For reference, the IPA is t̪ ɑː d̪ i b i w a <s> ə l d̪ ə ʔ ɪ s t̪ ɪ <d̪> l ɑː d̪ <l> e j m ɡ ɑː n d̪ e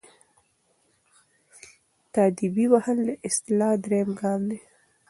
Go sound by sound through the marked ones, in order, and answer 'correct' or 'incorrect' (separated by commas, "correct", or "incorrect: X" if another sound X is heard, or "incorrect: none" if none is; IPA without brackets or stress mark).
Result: incorrect: h, incorrect: none, incorrect: ɾ